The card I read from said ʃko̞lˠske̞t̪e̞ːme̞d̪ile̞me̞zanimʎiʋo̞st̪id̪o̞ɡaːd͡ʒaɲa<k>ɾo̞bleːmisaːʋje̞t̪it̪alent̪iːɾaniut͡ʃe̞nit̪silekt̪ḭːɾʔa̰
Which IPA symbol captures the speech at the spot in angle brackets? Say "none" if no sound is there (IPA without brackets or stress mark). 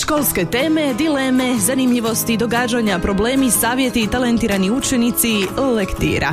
p